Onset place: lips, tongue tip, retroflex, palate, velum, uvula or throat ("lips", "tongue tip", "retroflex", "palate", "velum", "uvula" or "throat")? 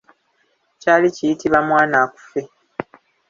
palate